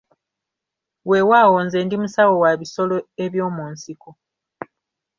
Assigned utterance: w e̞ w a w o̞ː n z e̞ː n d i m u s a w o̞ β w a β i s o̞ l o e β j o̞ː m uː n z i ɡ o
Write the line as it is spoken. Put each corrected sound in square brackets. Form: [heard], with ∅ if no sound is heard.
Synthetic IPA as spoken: w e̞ w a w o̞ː n z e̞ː n d i m u s a w o̞ [∅] w a β i s o̞ l o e β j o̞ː m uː n [s] i [k] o